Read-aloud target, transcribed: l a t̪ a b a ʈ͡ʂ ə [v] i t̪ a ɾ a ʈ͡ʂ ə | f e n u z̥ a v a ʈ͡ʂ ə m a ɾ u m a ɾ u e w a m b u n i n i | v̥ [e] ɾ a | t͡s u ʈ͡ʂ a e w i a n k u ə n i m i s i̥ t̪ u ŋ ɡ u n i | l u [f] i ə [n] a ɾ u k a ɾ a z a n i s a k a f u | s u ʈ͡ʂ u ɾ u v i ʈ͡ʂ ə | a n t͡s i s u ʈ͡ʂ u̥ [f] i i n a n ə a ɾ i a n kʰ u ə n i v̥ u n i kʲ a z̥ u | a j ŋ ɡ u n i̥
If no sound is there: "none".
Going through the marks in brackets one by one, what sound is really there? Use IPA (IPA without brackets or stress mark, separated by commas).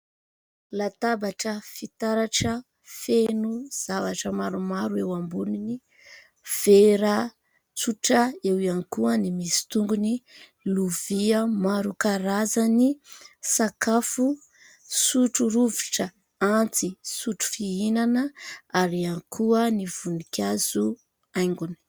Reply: f, e, v, m, f